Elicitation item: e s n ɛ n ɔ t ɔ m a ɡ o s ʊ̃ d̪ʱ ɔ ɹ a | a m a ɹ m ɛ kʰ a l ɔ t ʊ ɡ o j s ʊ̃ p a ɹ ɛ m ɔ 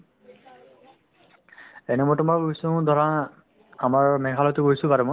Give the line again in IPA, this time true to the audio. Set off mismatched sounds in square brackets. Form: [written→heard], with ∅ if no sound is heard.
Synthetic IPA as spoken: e [s→∅] n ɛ [n→m] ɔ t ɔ m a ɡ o s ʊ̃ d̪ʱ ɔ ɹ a | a m a ɹ m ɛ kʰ a l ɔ t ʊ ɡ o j s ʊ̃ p a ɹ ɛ m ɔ